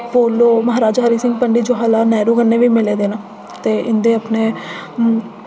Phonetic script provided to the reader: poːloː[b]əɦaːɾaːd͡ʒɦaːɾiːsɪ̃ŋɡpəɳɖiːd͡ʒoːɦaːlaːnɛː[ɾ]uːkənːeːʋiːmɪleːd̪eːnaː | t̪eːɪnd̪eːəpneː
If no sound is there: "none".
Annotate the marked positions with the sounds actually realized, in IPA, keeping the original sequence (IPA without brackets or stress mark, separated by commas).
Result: m, ɾ